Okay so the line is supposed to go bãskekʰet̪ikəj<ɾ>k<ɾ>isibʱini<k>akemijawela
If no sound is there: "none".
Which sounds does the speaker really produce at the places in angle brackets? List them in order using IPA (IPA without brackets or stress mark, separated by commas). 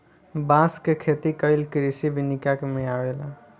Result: l, ɾ, k